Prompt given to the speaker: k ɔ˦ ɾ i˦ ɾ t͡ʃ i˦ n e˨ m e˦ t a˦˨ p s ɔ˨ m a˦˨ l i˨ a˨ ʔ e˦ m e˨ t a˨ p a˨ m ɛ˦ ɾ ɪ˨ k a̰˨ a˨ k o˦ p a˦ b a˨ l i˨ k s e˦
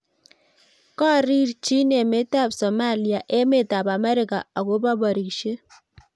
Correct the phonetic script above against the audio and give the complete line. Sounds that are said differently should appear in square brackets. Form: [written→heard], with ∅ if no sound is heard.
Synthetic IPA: k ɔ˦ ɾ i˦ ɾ t͡ʃ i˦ n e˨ m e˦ t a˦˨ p s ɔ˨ m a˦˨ l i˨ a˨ ʔ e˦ m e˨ t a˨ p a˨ m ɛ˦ ɾ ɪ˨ k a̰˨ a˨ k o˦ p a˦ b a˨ [l→ɾ] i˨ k [s→ʃ] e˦

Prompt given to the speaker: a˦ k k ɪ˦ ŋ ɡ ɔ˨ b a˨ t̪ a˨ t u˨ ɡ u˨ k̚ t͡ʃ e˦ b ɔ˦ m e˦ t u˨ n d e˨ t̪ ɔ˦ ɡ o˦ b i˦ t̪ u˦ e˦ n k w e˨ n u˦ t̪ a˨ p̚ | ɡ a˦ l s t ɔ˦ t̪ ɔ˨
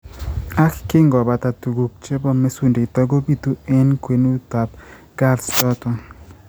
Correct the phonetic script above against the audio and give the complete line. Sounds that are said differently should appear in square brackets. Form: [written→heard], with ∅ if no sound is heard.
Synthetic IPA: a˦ k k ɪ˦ ŋ ɡ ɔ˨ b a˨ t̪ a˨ t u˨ ɡ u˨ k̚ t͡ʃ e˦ b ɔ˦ m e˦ [t→s] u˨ n d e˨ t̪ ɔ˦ ɡ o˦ b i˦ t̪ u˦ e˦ n k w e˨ n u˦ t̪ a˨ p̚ | ɡ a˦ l s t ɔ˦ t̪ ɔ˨

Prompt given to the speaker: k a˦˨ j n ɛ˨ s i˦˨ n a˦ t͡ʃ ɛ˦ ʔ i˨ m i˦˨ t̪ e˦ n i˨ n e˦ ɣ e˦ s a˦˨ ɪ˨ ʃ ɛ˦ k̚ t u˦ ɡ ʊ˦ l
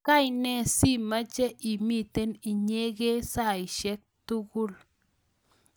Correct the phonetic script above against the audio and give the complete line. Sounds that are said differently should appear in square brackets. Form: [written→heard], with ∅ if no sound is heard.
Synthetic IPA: k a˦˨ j n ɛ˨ s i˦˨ [n→m] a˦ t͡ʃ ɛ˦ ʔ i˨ m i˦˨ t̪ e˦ n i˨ [n→ɲ] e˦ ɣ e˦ s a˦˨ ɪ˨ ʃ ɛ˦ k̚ t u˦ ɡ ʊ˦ l

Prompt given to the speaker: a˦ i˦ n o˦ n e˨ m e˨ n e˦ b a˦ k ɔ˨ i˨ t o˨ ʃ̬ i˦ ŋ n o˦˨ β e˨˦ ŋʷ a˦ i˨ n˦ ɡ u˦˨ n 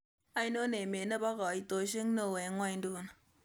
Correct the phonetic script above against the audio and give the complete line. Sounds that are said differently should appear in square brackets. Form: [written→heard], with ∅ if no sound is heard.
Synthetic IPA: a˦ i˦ n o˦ n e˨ m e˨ n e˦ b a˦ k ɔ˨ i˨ t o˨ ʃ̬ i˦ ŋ n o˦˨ [β→w] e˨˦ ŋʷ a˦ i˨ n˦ [ɡ→d] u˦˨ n

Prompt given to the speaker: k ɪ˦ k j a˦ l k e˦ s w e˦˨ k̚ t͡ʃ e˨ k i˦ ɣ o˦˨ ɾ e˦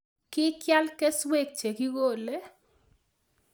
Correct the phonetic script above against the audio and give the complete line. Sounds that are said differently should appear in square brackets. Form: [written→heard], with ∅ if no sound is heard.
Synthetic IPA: k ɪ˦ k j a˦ l k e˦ s w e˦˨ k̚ t͡ʃ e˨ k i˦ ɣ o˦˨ [ɾ→l] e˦

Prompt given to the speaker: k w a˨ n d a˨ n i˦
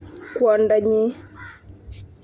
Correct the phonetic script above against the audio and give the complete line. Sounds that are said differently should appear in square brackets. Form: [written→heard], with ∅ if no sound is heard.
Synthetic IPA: k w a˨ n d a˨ [n→ɲ] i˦

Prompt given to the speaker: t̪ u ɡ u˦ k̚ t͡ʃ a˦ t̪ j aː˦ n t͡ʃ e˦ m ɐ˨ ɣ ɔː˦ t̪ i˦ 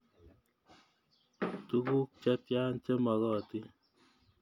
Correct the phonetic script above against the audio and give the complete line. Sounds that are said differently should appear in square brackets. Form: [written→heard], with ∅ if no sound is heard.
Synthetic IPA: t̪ u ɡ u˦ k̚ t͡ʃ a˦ t̪ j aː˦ n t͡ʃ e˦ m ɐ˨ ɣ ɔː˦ t̪ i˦

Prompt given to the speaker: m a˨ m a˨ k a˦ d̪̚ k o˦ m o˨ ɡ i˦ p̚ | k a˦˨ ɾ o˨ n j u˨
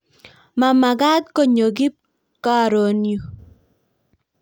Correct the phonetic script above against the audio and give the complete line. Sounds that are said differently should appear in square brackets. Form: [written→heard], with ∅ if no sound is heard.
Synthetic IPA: m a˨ m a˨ [k→ɡ] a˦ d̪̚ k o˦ [m→ɲ] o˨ ɡ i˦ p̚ | k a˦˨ ɾ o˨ n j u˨

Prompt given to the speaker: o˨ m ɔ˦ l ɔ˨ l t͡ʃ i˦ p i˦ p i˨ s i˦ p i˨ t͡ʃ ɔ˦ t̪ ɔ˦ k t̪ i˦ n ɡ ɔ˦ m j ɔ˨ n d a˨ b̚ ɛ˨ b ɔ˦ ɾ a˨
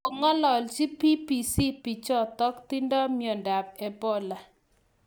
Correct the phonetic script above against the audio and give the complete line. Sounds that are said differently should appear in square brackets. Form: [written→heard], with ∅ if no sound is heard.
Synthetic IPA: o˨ [m→ŋ] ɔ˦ l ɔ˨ l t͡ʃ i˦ p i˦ p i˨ s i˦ p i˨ t͡ʃ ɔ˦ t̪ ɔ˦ k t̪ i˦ n [ɡ→d] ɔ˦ m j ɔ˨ n d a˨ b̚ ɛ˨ b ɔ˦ [ɾ→l] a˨

